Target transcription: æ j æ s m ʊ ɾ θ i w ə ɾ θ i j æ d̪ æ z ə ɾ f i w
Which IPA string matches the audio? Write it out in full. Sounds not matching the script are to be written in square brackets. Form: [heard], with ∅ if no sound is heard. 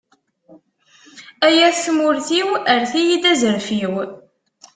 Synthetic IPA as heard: æ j æ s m ʊ ɾ θ i w ə ɾ θ i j [i] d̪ æ z ə ɾ f i w

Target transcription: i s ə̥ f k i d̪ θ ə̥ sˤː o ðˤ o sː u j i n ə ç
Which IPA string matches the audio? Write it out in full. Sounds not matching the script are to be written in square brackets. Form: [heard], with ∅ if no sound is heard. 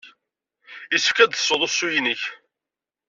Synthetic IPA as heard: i s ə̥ f k [æ] d̪ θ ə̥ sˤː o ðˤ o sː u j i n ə ç

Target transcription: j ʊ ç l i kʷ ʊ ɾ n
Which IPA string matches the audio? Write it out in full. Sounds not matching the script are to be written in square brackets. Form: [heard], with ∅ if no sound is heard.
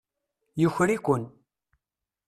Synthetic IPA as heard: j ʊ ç [ɾ] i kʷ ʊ [∅] n

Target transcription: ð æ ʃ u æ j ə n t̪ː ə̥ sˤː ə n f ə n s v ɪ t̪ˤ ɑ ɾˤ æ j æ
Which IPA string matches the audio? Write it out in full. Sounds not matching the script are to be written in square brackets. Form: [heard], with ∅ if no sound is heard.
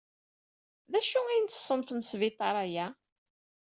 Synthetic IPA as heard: ð æ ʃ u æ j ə n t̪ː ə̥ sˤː ə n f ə n s v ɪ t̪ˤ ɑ ɾˤ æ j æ

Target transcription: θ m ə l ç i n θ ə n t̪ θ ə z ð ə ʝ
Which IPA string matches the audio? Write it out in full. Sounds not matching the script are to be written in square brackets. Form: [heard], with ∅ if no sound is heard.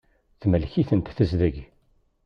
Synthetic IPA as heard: θ m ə l ç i [∅] θ ə n t̪ θ ə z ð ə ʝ

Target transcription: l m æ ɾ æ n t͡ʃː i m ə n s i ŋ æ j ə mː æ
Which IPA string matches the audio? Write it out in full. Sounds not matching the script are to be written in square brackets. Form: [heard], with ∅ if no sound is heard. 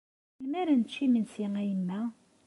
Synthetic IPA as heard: l m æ ɾ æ n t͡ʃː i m ə n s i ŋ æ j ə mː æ

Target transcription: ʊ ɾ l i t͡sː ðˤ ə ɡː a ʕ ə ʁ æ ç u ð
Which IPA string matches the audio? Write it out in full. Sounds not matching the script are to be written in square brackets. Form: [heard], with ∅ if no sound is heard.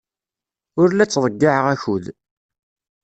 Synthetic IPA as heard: ʊ ɾ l [æ] t͡sː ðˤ ə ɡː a ʕ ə ʁ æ ç u ð

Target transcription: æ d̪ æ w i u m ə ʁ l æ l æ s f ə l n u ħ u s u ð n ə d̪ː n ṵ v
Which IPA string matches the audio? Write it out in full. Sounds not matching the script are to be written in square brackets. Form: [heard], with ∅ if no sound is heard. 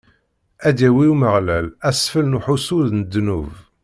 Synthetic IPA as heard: æ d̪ æ w i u m ə ʁ l æ l æ s f ə l n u ħ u s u ð n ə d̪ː n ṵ v

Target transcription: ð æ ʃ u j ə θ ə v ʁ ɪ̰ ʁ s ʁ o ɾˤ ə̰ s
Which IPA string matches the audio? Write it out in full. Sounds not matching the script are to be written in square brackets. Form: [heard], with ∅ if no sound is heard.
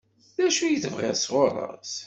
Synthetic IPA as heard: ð æ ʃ u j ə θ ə v ʁ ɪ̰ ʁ s ʁ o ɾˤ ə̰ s

